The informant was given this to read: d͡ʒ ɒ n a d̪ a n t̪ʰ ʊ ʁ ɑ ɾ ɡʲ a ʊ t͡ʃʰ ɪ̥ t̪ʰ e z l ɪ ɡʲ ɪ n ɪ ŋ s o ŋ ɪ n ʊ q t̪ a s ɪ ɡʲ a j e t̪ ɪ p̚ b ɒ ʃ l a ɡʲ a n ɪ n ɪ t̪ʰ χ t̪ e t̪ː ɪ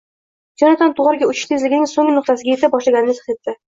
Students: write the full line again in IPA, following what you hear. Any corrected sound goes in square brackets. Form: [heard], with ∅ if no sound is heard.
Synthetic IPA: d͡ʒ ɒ n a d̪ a n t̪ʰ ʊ ʁ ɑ ɾ ɡʲ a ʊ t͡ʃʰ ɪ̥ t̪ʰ e z l ɪ ɡʲ ɪ n ɪ ŋ s o ŋ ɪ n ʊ q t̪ a s ɪ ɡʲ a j e t̪ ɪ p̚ b ɒ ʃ l a ɡʲ a n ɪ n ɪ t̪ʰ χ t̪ e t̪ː ɪ

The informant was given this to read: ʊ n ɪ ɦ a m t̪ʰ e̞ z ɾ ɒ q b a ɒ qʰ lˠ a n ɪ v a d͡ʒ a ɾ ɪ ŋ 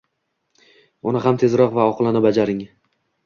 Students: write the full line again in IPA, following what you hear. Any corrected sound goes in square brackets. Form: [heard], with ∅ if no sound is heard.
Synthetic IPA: ʊ n ɪ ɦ a m t̪ʰ e̞ z ɾ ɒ q [v] a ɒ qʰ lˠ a n ɪ [b] a d͡ʒ a ɾ ɪ ŋ

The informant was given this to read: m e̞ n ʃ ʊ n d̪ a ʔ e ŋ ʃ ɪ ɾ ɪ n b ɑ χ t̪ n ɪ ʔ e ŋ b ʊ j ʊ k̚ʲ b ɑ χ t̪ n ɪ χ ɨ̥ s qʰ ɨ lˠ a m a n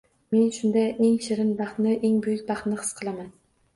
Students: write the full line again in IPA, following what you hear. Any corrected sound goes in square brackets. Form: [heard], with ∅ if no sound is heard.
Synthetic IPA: m e̞ n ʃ ʊ n d̪ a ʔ e ŋ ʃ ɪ ɾ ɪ n b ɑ χ t̪ n ɪ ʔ e ŋ b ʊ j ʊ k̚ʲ b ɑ χ t̪ n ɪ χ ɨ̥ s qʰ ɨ lˠ a m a n

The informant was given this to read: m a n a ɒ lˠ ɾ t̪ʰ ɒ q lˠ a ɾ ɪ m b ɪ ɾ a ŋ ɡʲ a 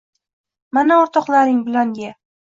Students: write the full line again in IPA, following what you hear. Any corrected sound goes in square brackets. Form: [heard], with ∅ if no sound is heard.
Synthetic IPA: m a n a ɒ [∅] ɾ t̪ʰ ɒ q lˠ a ɾ ɪ [ŋ] b ɪ [l] a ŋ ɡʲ a

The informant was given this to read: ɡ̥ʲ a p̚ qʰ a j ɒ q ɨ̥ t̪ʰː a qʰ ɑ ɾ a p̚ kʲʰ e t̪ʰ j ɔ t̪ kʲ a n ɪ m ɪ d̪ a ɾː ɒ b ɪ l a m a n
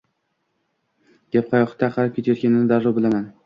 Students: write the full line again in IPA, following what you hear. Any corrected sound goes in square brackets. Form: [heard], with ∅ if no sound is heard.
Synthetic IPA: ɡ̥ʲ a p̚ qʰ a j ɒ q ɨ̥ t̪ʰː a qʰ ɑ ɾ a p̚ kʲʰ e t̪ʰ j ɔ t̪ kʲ a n ɪ [n] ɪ d̪ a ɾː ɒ b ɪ l a m a n

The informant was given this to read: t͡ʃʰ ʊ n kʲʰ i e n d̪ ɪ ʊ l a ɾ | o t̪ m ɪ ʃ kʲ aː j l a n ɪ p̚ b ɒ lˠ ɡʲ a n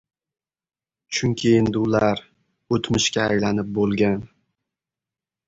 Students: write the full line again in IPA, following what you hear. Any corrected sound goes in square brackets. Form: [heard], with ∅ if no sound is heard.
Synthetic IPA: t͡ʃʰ ʊ [ŋ] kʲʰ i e n d̪ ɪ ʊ l a ɾ | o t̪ m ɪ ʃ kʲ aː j l a n ɪ p̚ b [o] lˠ ɡʲ a n

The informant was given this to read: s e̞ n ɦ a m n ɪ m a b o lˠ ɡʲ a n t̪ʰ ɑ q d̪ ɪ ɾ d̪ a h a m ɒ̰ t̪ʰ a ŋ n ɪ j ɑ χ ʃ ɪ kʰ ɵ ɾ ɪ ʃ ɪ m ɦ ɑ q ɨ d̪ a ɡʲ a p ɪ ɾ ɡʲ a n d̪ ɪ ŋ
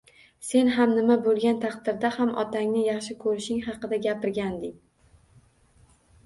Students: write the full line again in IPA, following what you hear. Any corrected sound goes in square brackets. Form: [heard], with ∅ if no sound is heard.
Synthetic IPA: s e̞ n ɦ a m n ɪ m a b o lˠ ɡʲ a n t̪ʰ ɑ q d̪ ɪ ɾ d̪ a h a m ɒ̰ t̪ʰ a ŋ n ɪ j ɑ χ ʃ ɪ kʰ ɵ ɾ ɪ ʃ ɪ [ŋ] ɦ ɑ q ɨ d̪ a ɡʲ a p ɪ ɾ ɡʲ a n d̪ ɪ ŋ

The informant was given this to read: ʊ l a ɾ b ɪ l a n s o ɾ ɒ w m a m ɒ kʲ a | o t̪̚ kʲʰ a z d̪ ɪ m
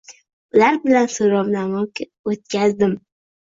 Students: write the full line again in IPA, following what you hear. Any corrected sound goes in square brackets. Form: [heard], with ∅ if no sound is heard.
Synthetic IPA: ʊ l a ɾ b ɪ l a n s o ɾ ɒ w [n] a m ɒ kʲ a | o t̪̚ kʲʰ a z d̪ ɪ m

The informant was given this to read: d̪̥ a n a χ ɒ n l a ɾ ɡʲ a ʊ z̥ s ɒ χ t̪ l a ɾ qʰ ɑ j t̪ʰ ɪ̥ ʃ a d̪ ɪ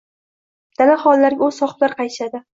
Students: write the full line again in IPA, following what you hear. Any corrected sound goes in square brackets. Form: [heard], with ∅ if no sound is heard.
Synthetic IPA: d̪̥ a n a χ ɒ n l a ɾ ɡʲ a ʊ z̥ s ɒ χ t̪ l a ɾ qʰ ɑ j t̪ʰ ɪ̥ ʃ a d̪ ɪ

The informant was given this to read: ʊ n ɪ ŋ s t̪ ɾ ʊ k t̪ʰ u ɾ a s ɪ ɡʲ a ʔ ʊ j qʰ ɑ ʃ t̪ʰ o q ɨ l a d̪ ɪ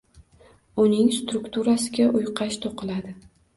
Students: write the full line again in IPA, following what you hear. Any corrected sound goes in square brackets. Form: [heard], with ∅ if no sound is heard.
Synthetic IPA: ʊ n ɪ ŋ s t̪ ɾ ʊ k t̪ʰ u ɾ a s ɪ ɡʲ a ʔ ʊ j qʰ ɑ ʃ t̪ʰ o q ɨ l a d̪ ɪ

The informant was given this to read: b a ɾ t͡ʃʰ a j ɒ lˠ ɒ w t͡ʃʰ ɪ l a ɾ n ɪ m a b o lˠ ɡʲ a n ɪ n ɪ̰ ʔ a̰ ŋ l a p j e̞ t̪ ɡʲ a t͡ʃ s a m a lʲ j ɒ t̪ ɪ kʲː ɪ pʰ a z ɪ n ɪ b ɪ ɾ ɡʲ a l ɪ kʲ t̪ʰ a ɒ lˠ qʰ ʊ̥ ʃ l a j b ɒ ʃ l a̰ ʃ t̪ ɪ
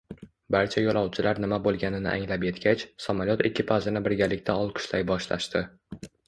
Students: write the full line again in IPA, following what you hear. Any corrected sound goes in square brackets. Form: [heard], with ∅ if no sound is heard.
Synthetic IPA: b a ɾ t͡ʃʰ a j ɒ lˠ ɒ w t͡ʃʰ ɪ l a ɾ n ɪ m a b o lˠ ɡʲ a n ɪ n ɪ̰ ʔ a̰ ŋ l a p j e̞ t̪ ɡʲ a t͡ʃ s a m a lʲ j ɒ t̪ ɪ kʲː ɪ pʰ a z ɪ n ɪ b ɪ ɾ ɡʲ a l ɪ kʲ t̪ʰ a ɒ lˠ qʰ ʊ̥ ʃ l a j b ɒ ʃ l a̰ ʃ t̪ ɪ

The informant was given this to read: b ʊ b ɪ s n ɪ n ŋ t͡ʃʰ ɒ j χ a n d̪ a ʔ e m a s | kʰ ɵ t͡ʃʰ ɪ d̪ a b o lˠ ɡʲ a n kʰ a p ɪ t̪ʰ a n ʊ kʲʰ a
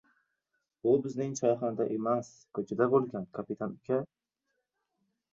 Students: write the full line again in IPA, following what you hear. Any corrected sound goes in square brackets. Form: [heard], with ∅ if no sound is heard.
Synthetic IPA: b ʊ b ɪ [z] n ɪ [∅] ŋ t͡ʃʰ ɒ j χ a n d̪ a ʔ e m a s | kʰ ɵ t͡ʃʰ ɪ d̪ a b o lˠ ɡʲ a n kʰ a p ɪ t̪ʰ a n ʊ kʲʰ a

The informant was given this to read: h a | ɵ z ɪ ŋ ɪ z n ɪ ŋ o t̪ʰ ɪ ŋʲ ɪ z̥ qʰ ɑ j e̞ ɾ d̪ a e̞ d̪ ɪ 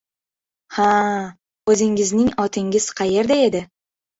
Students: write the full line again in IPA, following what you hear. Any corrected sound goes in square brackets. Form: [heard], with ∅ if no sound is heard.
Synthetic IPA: h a | ɵ z ɪ ŋ ɪ z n ɪ ŋ [ɒ] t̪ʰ ɪ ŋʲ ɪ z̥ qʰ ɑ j e̞ ɾ d̪ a e̞ d̪ ɪ

